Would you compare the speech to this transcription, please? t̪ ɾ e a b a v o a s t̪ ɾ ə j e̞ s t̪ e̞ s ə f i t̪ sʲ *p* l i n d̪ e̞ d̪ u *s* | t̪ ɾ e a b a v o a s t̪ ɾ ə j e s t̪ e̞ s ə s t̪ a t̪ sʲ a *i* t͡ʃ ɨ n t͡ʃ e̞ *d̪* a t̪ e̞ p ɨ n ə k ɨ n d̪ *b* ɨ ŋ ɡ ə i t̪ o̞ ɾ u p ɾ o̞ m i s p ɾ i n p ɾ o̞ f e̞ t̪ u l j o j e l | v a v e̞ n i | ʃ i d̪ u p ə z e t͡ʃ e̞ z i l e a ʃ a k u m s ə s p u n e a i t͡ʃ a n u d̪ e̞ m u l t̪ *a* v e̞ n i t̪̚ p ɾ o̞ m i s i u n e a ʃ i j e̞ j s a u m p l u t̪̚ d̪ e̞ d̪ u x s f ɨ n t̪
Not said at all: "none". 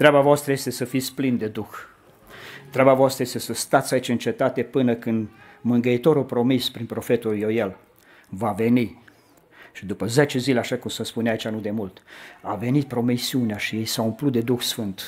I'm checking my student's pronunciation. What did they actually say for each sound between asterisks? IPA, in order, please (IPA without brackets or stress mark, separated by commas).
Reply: p, x, i, t̪, m, a